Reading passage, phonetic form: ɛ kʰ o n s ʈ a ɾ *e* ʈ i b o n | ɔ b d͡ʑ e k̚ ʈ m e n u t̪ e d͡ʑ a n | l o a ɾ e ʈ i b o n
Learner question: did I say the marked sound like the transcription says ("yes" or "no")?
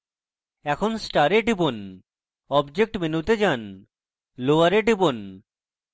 yes